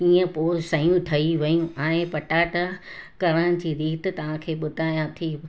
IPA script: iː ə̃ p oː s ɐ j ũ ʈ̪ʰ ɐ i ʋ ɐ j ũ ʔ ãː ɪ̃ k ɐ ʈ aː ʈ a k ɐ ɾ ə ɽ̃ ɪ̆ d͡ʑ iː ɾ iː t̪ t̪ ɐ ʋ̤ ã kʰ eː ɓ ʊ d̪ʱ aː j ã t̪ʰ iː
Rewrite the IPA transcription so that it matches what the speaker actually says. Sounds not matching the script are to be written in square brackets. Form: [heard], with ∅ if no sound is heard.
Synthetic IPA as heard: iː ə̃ p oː s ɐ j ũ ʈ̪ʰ ɐ i ʋ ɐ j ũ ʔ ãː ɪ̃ [p] ɐ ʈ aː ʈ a k ɐ ɾ ə ɽ̃ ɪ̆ d͡ʑ iː ɾ iː t̪ t̪ ɐ ʋ̤ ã kʰ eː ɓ ʊ d̪ʱ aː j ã t̪ʰ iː